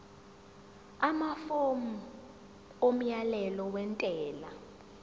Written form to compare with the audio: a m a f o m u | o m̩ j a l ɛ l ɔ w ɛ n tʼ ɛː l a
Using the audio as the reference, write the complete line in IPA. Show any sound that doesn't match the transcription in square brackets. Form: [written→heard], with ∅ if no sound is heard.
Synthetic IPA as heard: a m a f o m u | o m̩ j a l ɛ l ɔ w ɛ n tʼ ɛː l a